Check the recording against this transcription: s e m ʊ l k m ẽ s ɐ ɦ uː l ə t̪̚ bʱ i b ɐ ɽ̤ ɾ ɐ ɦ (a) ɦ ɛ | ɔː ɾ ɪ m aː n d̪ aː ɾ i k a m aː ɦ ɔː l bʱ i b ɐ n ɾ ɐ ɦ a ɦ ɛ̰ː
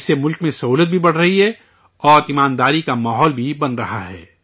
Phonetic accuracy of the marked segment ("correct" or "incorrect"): incorrect